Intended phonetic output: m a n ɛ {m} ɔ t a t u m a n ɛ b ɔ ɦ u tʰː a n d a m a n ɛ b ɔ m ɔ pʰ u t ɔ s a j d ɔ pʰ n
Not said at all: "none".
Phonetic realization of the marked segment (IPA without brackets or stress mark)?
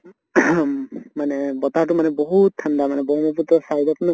b